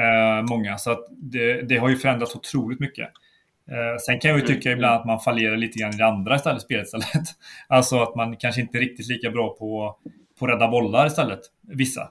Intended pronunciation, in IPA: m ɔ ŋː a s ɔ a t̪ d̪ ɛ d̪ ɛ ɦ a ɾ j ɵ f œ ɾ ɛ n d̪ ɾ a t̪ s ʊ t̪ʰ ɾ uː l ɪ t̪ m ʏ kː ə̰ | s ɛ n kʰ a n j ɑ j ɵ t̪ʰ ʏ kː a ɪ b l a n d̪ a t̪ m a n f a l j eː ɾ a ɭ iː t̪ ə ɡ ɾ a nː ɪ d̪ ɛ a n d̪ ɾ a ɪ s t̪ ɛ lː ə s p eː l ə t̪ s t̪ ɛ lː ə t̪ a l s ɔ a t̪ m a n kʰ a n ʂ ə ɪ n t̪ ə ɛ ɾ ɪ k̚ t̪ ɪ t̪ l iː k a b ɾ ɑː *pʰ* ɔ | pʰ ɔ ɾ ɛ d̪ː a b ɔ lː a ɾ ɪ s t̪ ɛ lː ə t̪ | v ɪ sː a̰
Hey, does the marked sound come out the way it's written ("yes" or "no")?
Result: yes